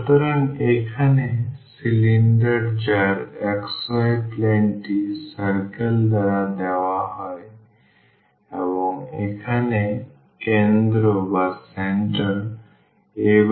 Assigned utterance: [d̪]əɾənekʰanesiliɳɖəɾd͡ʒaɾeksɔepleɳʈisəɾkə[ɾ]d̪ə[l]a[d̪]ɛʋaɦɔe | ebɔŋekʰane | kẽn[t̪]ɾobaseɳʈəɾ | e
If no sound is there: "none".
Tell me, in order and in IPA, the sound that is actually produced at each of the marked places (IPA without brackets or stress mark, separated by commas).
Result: t̪, l, ɾ, d̪, d̪